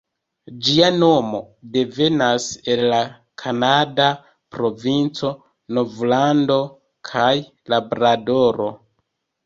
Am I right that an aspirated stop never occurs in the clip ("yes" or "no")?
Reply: no